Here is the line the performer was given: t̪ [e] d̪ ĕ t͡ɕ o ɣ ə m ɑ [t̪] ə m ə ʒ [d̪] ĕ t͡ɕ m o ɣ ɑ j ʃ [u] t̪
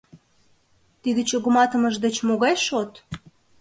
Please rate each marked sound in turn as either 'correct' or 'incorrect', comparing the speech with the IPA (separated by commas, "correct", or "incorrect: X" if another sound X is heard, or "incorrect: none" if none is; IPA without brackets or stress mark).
incorrect: i, correct, correct, incorrect: o